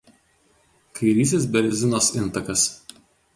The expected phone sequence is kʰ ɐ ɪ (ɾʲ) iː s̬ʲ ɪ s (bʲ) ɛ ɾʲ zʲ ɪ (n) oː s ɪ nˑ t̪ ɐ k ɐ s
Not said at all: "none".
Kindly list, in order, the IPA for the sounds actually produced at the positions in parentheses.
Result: ɾʲ, bʲ, n

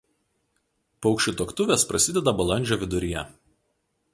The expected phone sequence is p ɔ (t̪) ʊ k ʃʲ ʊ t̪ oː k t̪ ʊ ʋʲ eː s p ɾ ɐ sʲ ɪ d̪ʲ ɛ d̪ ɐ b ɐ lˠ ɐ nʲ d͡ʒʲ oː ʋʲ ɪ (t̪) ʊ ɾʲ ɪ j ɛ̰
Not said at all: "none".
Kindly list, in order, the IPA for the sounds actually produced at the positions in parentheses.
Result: none, d̪

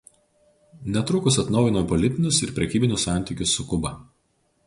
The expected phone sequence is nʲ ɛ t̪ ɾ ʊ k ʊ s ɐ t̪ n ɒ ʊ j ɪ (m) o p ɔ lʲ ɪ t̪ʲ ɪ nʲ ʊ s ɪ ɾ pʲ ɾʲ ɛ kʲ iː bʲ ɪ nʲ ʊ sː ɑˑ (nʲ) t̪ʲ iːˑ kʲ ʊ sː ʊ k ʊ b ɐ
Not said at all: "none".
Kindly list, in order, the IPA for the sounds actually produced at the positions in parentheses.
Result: n, nʲ

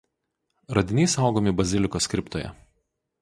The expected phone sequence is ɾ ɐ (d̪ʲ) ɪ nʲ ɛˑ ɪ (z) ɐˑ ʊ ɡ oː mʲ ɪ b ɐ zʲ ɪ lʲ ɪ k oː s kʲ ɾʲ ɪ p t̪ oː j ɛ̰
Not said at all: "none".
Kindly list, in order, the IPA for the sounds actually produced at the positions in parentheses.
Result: d̪ʲ, s

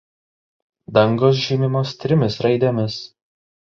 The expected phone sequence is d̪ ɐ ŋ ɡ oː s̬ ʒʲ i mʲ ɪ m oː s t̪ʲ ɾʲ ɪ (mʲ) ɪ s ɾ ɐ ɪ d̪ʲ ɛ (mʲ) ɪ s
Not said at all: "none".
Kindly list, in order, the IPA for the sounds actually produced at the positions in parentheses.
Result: mʲ, mʲ

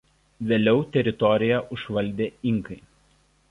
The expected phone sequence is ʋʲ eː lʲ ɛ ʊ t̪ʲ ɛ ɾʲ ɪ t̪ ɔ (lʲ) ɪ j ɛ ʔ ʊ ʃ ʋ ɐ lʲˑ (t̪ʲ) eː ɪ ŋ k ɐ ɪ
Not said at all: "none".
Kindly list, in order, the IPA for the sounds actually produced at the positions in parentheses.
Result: ɾʲ, d̪ʲ

